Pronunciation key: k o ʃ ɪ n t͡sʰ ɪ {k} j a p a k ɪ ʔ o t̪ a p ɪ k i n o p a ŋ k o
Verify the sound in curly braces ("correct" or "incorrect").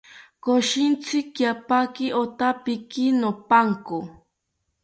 correct